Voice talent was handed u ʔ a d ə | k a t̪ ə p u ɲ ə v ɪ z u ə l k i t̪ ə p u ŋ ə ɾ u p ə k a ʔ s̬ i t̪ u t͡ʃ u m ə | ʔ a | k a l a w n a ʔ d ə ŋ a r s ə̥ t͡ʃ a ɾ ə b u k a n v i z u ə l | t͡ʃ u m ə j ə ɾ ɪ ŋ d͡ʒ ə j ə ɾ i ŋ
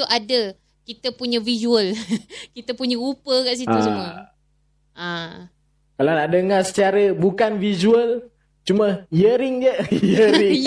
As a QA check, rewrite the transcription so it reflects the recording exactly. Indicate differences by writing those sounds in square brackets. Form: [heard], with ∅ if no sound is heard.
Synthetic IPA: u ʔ a d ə | k [i] t̪ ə p u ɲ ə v [i] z u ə l k i t̪ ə p u [ɲ] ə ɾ u p ə k a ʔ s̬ i t̪ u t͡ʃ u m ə | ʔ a | k a l a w n a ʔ d ə ŋ a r s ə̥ t͡ʃ a ɾ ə b u k a n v i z u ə l | t͡ʃ u m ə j ə ɾ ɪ ŋ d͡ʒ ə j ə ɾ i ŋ